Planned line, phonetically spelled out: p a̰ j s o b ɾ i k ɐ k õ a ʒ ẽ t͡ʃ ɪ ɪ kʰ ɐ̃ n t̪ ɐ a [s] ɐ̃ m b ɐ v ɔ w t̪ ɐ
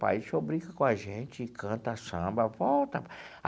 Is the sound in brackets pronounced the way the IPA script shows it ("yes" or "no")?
yes